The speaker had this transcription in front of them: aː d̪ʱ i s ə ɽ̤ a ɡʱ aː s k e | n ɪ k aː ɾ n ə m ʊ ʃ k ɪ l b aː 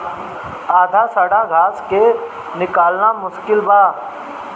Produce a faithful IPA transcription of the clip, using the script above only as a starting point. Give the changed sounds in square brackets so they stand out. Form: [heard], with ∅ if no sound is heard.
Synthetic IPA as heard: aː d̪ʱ [a] s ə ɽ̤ a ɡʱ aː s k e | n ɪ k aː [l] n [a] m ʊ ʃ k ɪ l b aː